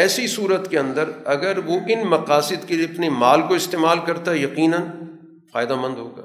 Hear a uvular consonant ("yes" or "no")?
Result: yes